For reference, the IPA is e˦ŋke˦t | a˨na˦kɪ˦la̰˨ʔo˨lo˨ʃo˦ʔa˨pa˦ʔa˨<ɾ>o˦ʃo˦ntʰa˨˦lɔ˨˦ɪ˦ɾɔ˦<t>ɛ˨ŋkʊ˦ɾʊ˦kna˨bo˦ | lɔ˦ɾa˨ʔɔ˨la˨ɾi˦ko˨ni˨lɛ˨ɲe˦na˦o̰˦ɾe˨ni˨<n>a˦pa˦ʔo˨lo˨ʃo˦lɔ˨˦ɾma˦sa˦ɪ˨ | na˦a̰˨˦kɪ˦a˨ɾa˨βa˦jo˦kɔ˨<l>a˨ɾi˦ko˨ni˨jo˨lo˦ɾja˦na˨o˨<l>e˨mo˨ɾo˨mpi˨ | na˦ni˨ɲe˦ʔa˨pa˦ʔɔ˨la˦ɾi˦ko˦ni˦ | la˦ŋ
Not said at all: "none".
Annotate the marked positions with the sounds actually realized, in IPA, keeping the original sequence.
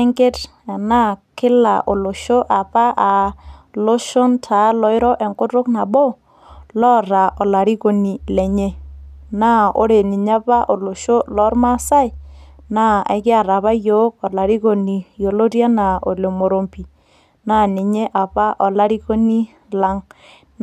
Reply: l, ʔ, ɲ, l, l

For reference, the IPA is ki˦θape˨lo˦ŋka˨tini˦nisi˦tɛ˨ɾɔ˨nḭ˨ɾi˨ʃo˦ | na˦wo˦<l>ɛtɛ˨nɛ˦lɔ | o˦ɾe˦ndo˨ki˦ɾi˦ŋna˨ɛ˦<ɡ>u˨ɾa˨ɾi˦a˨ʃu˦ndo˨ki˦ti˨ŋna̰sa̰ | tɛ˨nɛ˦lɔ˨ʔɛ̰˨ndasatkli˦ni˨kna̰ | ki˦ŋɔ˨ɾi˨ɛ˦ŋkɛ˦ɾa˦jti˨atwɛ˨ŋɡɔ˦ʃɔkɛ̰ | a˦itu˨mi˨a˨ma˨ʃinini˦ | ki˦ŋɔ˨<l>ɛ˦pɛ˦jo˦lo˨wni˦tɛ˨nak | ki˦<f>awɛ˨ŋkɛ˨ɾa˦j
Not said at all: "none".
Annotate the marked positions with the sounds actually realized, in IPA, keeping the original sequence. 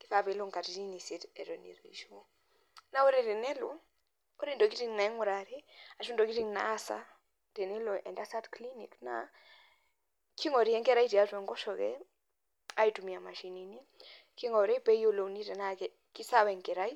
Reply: ɾ, ŋ, ɾ, s

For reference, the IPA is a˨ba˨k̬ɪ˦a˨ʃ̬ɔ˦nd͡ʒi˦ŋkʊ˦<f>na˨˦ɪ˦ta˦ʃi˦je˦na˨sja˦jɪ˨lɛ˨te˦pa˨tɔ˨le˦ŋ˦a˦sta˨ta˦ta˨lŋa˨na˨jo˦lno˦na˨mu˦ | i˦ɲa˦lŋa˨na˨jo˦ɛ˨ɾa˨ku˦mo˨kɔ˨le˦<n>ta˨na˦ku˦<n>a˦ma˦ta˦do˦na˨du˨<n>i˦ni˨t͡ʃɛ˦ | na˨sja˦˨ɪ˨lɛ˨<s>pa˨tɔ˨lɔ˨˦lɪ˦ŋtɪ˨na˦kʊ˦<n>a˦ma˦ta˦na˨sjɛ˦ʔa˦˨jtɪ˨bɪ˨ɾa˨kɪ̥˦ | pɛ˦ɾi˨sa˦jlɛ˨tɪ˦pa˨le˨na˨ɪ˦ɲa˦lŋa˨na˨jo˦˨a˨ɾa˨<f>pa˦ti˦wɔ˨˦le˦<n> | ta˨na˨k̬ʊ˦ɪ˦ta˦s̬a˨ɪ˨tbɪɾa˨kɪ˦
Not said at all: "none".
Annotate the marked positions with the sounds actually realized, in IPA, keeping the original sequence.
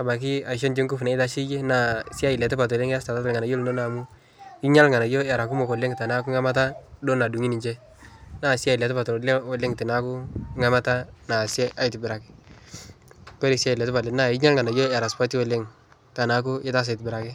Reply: f, ŋ, ŋ, ŋ, t, ŋ, s, ŋ

